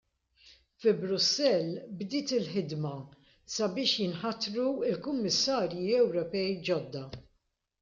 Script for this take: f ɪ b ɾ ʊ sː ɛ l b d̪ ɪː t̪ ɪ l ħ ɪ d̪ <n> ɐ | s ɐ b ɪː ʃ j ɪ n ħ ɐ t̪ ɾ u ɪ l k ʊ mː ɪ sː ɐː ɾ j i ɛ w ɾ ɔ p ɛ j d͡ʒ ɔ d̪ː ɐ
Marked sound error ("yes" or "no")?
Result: yes